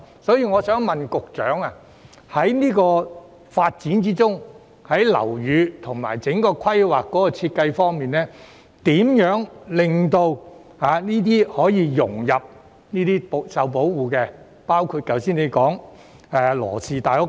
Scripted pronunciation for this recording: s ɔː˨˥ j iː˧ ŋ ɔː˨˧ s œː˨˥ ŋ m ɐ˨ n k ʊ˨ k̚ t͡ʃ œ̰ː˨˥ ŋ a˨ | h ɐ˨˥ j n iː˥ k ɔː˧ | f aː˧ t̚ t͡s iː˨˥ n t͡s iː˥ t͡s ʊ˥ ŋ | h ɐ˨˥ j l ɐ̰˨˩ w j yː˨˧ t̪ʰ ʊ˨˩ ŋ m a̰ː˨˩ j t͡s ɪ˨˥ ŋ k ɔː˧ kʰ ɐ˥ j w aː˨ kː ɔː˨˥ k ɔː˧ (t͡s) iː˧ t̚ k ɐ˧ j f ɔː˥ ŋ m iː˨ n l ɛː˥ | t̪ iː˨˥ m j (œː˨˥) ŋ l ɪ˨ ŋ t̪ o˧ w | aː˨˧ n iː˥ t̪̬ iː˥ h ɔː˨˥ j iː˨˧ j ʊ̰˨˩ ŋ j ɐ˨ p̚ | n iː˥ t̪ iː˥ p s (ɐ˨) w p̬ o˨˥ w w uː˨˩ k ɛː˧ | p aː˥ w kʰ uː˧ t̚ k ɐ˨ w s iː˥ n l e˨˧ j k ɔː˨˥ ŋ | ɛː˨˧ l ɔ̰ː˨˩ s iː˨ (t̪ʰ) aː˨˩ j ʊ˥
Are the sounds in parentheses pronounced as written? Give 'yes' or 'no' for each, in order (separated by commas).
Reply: no, yes, yes, no